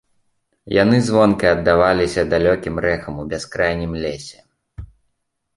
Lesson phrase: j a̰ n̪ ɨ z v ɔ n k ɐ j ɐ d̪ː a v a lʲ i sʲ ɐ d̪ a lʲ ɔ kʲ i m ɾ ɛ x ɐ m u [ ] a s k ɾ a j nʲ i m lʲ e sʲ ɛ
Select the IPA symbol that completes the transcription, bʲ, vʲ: bʲ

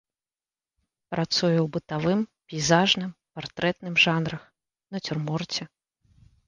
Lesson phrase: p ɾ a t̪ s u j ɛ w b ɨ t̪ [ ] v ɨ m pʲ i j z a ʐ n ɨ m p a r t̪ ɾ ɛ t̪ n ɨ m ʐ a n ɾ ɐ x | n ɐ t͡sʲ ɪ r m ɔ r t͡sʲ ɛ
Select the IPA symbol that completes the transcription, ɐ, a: a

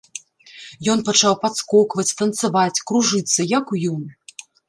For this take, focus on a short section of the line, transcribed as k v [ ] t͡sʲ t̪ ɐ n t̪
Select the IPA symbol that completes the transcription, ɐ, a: ɐ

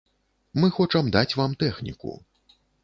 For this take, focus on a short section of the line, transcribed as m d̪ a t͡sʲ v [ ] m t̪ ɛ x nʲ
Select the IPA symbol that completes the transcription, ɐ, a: a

